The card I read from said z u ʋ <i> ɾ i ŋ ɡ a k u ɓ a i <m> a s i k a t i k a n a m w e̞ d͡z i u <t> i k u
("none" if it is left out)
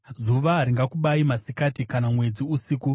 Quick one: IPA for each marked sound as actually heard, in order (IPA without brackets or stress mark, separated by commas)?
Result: a, m, s